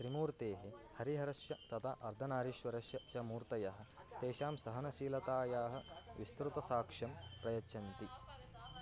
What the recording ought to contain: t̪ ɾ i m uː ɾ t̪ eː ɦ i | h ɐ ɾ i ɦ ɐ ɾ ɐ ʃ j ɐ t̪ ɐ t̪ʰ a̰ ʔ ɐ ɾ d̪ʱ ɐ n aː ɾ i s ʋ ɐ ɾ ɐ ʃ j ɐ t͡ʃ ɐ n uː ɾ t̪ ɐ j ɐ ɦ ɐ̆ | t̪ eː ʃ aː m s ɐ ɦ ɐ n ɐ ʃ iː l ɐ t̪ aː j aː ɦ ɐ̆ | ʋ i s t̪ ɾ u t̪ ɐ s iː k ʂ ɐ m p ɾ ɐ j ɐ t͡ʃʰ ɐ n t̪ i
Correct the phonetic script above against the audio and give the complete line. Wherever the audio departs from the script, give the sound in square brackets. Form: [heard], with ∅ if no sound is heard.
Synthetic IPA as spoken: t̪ ɾ i m uː ɾ t̪ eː ɦ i | h ɐ ɾ i ɦ ɐ ɾ ɐ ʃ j ɐ t̪ ɐ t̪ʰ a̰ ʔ ɐ ɾ d̪ʱ ɐ n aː ɾ i [ʃ] ʋ ɐ ɾ ɐ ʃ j ɐ t͡ʃ ɐ [m] uː ɾ t̪ ɐ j ɐ ɦ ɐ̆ | t̪ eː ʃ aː m s ɐ ɦ ɐ n ɐ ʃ iː l ɐ t̪ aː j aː ɦ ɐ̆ | ʋ i s t̪ ɾ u t̪ ɐ s [aː] k ʂ ɐ m p ɾ ɐ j ɐ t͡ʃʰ ɐ n t̪ i